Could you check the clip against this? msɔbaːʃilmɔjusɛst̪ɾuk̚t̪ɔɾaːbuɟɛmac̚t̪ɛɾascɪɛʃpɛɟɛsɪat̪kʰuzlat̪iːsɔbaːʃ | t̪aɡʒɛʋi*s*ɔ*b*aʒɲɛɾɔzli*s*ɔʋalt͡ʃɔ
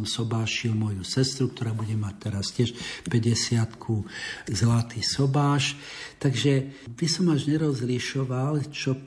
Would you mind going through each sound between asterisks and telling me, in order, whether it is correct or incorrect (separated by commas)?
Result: correct, incorrect, incorrect